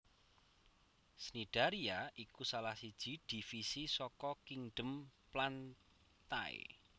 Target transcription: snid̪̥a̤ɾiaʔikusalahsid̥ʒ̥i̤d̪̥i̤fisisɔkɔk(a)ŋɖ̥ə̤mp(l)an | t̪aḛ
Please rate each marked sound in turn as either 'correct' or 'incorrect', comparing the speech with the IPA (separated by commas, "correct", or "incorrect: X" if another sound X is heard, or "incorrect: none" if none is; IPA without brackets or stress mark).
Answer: incorrect: i, correct